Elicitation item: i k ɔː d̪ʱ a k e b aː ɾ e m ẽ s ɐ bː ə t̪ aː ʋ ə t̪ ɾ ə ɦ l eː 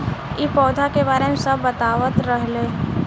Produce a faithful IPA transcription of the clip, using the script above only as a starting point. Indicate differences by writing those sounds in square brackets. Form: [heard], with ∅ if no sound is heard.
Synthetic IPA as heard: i [p] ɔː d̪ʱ a k e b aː ɾ e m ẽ s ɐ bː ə t̪ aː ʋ ə t̪ ɾ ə ɦ l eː